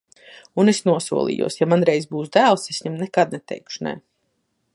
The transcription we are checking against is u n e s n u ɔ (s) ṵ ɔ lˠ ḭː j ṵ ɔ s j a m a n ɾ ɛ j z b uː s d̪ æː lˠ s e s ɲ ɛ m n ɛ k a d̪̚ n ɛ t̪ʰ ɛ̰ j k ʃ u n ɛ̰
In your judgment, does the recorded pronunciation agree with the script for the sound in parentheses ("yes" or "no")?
yes